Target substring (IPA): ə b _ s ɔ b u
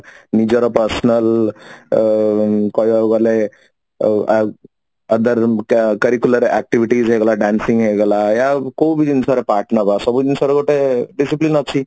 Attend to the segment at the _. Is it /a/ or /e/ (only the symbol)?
a